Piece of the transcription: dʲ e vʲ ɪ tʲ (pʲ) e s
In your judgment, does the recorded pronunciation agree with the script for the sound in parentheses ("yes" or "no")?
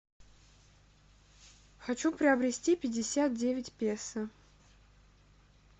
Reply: yes